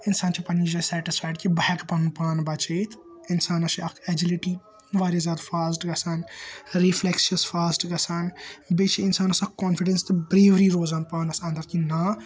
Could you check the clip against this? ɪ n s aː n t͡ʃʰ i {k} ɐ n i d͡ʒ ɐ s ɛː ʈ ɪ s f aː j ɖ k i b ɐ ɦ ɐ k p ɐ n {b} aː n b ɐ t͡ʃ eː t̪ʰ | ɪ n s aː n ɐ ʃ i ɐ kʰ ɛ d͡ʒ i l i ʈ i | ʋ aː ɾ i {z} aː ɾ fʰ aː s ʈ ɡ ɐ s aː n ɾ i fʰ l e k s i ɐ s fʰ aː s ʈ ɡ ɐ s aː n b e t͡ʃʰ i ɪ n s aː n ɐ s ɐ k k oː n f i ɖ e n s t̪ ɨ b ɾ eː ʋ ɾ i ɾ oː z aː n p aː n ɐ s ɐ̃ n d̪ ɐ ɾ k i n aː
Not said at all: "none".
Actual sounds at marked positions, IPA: p, p, z

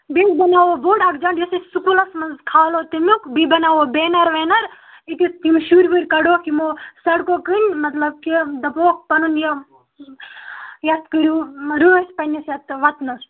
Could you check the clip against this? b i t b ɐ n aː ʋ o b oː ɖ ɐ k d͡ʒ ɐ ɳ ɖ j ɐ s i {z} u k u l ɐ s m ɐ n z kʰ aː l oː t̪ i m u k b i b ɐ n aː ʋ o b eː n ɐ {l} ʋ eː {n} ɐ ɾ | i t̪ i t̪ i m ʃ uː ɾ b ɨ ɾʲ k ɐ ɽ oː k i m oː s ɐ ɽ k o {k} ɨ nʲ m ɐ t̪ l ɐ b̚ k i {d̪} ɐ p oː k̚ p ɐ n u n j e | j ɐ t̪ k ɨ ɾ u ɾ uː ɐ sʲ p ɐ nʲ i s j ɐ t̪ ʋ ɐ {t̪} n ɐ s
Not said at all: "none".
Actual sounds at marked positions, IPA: s, ɾ, n, k, d̪, t̪

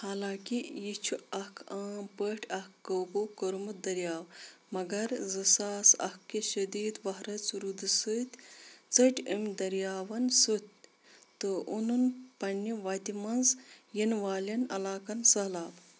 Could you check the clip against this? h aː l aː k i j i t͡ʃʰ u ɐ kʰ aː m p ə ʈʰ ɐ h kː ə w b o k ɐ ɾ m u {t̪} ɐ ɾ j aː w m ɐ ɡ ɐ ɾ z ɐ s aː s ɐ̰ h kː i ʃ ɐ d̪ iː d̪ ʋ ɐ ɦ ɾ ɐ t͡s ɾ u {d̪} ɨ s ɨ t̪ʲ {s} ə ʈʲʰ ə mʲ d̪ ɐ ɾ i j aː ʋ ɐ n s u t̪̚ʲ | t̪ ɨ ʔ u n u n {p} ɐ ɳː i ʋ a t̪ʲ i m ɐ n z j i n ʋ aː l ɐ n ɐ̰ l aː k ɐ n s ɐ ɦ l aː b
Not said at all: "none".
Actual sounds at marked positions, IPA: d̪, d̪, t͡s, p

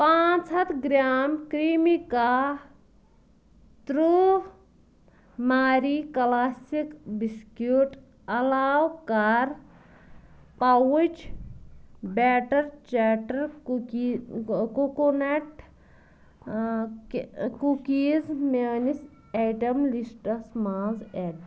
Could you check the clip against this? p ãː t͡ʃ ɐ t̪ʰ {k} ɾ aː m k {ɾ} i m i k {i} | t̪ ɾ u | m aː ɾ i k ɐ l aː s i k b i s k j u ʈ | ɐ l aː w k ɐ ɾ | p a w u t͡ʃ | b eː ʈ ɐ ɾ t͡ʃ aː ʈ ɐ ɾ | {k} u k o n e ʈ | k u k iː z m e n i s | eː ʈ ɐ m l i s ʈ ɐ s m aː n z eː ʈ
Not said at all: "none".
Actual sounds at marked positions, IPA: ɡ, ɾ, a, k

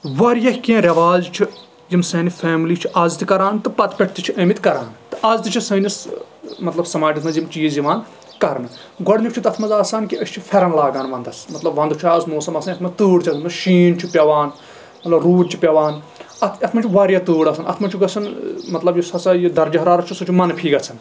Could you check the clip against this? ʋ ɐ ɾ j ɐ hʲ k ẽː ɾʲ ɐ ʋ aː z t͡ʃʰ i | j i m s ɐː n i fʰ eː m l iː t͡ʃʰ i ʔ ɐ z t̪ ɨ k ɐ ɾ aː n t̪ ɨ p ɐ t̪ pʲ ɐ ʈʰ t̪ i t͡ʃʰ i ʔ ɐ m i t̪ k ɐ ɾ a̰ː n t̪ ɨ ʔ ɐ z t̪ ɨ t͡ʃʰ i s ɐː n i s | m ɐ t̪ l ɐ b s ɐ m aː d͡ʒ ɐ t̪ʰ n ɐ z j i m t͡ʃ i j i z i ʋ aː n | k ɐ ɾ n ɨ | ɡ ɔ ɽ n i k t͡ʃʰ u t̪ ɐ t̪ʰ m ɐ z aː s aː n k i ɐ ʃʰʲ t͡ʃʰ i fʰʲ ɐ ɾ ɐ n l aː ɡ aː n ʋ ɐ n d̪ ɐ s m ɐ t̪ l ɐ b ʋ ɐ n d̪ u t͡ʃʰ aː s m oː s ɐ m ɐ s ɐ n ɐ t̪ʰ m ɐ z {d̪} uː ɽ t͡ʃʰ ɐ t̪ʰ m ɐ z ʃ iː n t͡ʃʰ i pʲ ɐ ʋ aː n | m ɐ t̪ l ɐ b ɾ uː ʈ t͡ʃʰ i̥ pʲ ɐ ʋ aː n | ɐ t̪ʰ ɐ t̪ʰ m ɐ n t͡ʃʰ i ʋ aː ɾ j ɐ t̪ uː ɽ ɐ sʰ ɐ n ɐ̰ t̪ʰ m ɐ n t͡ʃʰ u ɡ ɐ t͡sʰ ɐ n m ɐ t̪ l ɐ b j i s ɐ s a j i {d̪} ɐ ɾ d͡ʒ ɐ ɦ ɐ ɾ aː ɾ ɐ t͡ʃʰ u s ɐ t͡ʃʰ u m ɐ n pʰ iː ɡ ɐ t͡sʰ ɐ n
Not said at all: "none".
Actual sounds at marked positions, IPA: t̪, d̪

